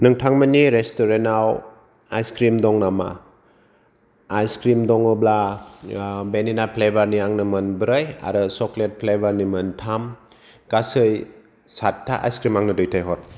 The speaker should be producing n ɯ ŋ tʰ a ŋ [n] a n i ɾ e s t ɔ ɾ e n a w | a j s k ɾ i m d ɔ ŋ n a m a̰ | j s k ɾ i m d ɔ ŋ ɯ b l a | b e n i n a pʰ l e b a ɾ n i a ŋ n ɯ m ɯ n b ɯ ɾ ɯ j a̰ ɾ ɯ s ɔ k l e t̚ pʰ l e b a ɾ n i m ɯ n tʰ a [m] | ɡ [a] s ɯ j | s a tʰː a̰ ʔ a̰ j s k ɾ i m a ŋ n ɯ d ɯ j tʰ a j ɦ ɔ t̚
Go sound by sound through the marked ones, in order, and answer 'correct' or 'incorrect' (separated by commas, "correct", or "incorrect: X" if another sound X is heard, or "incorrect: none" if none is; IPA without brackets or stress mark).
incorrect: m, correct, correct